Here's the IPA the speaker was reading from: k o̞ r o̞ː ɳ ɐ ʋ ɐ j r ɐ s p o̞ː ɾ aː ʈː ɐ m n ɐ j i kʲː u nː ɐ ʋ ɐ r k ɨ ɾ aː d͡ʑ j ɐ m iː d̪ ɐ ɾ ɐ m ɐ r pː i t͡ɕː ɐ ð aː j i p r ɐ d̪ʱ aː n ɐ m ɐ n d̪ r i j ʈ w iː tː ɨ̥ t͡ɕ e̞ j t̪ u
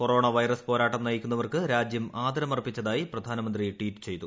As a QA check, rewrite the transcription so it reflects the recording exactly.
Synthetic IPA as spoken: k o̞ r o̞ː ɳ ɐ ʋ ɐ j r ɐ s p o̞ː ɾ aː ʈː ɐ m n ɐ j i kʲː u nː ɐ ʋ ɐ r k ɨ ɾ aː d͡ʑ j ɐ m aː d̪ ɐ ɾ ɐ m ɐ r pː i t͡ɕː ɐ ð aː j i p r ɐ d̪ʱ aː n ɐ m ɐ n d̪ r i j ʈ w iː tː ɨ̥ t͡ɕ e̞ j t̪ u